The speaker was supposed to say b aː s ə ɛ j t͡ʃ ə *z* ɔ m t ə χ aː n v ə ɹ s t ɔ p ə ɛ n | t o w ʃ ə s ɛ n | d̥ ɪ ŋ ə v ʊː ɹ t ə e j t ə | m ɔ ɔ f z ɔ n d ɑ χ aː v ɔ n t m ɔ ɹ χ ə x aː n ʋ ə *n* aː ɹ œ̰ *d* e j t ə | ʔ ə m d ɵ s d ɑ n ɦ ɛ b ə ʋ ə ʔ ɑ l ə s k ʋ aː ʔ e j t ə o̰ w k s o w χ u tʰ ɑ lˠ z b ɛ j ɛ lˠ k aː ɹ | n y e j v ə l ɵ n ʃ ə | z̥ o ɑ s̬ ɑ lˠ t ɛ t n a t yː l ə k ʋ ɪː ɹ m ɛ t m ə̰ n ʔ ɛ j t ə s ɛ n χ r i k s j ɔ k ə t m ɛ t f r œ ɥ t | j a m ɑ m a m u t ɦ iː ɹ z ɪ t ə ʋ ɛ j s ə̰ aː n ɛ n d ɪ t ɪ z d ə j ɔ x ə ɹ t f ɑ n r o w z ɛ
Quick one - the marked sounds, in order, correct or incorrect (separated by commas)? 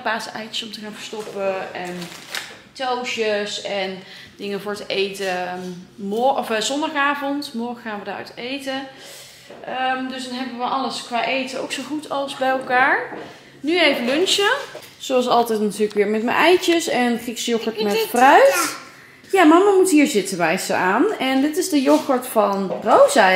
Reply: incorrect, incorrect, incorrect